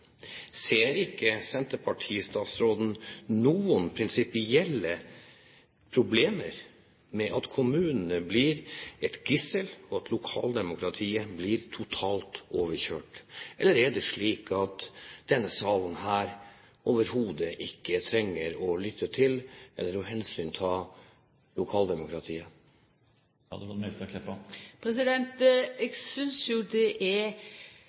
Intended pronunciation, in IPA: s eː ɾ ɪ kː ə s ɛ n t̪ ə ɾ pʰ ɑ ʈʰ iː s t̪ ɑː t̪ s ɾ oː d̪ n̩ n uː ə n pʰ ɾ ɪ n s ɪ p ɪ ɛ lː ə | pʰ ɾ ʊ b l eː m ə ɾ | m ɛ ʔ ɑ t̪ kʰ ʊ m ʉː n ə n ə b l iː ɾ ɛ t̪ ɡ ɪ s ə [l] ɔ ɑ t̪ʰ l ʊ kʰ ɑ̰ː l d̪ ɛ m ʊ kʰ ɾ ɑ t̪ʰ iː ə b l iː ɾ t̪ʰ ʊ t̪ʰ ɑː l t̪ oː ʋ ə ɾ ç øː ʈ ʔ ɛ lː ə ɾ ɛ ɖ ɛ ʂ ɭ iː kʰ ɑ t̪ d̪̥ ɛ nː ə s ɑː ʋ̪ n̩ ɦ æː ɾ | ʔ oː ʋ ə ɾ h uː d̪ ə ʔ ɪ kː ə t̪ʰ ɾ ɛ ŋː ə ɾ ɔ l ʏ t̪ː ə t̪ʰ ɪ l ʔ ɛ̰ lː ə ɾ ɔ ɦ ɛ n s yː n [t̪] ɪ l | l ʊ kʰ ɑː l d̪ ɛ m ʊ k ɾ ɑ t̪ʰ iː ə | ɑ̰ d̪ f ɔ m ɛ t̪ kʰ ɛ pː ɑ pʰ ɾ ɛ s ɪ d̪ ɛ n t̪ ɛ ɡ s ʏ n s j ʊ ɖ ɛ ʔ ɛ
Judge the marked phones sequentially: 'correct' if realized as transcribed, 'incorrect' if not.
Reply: correct, incorrect: t̪ʰ

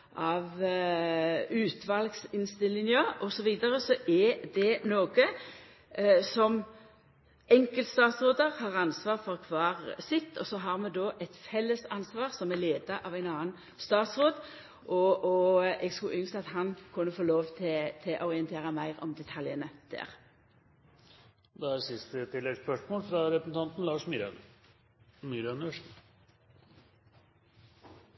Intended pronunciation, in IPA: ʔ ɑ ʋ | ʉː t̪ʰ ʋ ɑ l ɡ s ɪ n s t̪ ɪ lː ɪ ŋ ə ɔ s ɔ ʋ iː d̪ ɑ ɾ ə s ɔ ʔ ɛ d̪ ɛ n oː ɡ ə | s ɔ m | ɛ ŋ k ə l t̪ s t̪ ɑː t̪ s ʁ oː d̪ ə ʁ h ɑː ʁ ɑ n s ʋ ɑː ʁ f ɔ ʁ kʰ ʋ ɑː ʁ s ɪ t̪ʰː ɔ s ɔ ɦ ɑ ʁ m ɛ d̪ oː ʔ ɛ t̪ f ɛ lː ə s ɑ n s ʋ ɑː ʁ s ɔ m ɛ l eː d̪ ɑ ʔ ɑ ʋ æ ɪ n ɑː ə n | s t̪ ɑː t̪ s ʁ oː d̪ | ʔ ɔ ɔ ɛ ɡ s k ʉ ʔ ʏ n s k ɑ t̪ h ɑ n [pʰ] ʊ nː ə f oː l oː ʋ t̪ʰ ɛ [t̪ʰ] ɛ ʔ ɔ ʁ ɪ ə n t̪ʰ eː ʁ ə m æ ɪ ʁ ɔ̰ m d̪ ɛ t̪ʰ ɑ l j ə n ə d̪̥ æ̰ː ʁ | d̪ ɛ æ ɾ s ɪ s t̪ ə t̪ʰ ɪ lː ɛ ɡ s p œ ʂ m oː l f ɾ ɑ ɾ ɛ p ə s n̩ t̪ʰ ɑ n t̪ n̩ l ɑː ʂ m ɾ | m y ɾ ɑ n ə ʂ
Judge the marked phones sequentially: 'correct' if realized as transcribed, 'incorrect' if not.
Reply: incorrect: kʰ, correct

